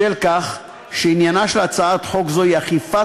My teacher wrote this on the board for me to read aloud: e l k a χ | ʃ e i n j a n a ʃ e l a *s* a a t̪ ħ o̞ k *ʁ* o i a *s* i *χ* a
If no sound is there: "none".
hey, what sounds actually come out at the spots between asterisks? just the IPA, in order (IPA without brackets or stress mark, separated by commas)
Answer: t͡s, z, χ, f